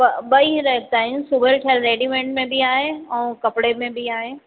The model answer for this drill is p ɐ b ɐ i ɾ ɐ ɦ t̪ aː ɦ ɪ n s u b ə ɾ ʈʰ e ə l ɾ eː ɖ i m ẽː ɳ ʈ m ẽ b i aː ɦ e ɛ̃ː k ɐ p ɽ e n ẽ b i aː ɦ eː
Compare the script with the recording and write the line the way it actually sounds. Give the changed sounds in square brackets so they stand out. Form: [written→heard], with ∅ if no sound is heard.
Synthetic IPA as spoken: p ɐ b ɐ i ɾ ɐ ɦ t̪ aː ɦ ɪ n s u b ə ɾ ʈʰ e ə l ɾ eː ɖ i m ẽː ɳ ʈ m ẽ b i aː ɦ e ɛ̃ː k ɐ p ɽ e [n→m] ẽ b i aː ɦ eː